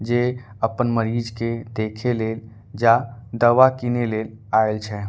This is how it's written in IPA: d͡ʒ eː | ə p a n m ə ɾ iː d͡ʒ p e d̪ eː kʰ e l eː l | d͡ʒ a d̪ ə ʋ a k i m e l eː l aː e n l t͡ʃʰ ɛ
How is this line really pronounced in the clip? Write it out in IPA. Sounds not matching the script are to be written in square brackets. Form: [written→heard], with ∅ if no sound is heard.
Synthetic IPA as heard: d͡ʒ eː | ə p [a→ə] n m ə ɾ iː d͡ʒ [p→k] e d̪ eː kʰ e l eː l | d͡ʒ a d̪ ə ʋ a k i [m→n] e l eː l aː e [n→∅] l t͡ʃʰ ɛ